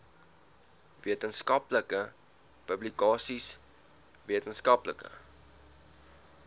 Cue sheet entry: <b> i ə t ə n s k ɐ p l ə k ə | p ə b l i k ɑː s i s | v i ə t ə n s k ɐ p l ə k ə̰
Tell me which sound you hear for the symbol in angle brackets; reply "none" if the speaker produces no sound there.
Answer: v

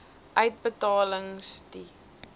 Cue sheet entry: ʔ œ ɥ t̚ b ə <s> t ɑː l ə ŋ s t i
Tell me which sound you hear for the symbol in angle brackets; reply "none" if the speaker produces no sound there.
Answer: none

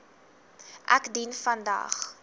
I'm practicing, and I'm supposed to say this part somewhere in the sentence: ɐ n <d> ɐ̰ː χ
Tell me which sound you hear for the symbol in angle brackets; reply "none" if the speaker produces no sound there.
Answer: d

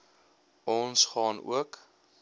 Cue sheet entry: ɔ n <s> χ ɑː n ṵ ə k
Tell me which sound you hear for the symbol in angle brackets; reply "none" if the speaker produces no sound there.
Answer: s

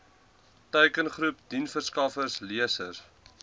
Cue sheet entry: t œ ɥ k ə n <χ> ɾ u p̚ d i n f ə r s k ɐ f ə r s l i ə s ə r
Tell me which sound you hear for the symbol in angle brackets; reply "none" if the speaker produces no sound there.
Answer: χ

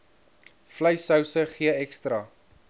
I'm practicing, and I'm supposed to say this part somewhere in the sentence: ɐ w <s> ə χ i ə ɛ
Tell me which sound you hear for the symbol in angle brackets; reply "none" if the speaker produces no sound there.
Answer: s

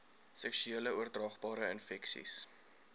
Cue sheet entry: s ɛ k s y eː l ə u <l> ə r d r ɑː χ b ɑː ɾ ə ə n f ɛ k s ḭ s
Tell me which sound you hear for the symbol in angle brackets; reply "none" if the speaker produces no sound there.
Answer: none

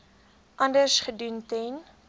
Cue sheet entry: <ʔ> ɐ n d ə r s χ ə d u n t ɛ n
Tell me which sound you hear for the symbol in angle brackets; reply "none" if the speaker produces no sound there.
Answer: ʔ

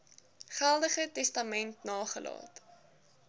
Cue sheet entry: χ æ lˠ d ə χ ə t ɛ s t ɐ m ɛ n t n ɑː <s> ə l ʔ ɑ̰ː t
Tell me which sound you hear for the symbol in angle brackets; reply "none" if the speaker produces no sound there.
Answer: χ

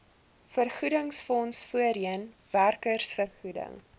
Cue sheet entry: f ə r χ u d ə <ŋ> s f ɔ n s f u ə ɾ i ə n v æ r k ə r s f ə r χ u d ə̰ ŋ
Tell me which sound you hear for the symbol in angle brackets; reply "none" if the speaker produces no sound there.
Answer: ŋ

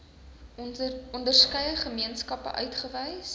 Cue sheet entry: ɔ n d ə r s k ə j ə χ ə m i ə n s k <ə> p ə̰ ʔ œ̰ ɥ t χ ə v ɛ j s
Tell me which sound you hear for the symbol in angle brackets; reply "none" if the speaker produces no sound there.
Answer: ɐ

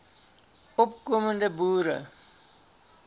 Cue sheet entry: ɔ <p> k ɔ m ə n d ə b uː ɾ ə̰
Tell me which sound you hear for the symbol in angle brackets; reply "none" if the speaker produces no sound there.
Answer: p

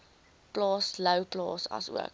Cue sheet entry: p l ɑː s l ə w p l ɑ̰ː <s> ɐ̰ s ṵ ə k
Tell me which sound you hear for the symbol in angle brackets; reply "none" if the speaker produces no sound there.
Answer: s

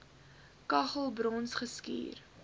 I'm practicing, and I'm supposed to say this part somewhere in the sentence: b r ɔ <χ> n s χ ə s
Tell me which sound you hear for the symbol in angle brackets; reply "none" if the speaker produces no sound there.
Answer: none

